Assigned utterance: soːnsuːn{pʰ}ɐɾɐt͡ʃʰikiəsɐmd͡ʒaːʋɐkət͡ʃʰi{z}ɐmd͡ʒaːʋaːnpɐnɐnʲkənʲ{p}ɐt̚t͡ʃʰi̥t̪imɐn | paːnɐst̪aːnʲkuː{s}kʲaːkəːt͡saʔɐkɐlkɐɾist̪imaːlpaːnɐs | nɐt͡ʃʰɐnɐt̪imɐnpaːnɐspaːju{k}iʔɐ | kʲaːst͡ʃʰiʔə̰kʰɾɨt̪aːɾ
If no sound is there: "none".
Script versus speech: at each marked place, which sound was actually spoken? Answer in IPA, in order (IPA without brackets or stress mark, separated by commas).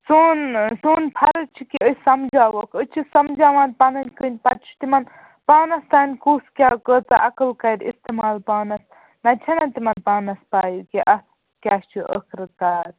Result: pʰ, s, p, s, k